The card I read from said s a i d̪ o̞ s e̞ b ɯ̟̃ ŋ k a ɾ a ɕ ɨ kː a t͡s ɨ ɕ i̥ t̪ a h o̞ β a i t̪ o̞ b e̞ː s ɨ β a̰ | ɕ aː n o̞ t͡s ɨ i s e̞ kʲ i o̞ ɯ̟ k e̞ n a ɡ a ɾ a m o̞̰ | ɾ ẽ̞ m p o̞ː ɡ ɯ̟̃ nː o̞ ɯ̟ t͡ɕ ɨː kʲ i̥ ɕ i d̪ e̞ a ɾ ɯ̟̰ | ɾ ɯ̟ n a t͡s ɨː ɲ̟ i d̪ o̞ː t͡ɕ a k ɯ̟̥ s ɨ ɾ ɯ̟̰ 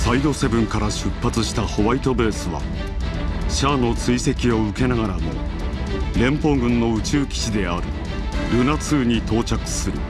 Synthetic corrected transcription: s a i d̪ o̞ s e̞ b ɯ̟̃ ŋ k a ɾ a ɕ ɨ pː a t͡s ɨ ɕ i̥ t̪ a h o̞ β a i t̪ o̞ b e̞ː s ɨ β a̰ | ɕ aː n o̞ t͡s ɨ i s e̞ kʲ i o̞ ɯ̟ k e̞ n a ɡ a ɾ a m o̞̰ | ɾ ẽ̞ m p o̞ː ɡ ɯ̟̃ nː o̞ ɯ̟ t͡ɕ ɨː kʲ i̥ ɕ i d̪ e̞ a ɾ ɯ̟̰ | ɾ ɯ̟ n a t͡s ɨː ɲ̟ i t̪ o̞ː t͡ɕ a k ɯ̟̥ s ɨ ɾ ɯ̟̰